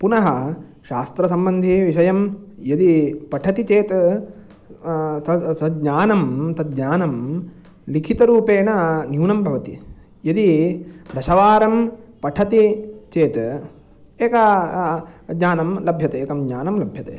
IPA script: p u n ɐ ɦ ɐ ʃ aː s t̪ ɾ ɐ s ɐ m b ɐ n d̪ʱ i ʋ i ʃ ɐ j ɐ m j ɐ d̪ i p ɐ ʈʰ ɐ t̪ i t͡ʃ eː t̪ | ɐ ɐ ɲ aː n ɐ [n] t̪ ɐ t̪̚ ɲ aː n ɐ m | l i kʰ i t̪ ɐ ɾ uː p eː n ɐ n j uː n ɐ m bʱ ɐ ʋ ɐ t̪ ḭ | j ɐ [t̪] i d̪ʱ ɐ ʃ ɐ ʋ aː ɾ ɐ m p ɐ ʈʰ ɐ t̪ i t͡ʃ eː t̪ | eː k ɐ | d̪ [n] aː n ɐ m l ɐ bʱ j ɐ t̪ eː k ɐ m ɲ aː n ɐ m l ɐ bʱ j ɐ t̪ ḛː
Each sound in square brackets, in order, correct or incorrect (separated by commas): incorrect, incorrect, incorrect